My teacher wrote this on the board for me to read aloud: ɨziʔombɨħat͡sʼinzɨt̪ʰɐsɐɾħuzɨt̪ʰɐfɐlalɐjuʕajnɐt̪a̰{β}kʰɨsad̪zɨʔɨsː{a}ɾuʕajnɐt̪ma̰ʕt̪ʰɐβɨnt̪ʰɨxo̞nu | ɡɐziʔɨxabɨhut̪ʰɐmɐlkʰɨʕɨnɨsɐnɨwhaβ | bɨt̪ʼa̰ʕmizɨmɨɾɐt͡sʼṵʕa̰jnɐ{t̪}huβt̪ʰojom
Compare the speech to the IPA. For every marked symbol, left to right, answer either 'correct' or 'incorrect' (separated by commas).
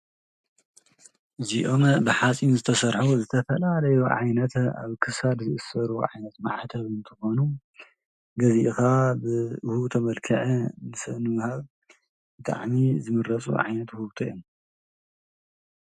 correct, incorrect, correct